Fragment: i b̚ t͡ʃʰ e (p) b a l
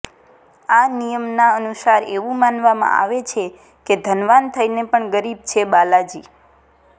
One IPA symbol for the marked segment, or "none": none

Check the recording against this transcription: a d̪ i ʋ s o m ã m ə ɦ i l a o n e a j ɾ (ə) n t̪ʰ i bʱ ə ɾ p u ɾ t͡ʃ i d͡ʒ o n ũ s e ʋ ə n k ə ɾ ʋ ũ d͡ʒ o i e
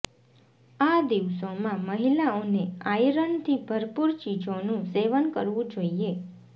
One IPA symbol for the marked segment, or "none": ə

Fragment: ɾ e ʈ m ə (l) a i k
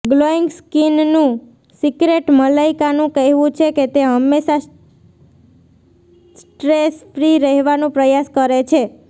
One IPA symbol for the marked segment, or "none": l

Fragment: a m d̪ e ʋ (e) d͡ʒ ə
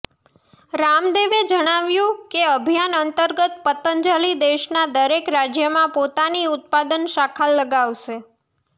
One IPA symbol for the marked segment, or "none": e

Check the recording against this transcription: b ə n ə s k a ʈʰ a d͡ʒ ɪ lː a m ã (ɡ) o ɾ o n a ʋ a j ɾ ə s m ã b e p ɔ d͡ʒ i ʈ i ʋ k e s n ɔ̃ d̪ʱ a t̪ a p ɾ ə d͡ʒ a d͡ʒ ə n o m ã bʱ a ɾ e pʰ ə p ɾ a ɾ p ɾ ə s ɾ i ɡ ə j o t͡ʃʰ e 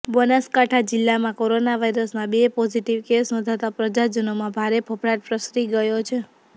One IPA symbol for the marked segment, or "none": k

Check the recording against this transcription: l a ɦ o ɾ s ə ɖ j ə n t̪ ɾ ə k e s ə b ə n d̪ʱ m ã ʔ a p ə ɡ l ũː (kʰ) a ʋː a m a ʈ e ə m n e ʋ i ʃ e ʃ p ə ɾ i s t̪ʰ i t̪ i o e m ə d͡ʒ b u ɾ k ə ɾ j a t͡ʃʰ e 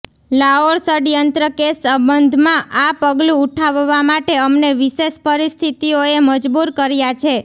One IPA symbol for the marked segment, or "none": ʈʰ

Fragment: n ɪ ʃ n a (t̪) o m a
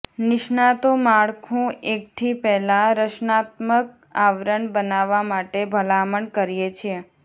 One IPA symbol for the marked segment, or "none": t̪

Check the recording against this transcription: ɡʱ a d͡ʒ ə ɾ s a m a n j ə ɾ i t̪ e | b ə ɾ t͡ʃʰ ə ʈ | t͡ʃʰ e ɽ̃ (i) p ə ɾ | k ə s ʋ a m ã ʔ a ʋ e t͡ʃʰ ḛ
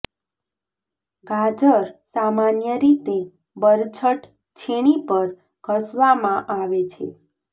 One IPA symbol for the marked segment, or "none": i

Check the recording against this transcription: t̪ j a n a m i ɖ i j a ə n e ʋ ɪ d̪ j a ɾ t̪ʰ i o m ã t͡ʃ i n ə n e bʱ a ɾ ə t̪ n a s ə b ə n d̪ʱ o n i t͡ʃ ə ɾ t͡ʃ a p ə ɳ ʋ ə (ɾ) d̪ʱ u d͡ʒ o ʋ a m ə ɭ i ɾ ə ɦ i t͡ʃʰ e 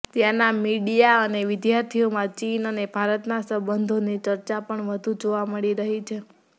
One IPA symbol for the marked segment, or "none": none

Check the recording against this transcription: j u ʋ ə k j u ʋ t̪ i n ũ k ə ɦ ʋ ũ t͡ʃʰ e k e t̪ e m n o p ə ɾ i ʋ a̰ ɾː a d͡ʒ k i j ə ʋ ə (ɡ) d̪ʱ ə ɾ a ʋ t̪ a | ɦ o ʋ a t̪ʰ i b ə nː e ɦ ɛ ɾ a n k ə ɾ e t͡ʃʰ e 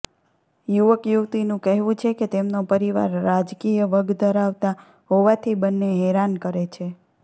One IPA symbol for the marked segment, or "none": ɡ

